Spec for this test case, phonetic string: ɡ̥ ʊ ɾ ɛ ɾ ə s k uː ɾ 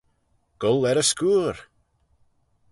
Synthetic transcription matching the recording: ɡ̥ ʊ l ɛ ɾ ə s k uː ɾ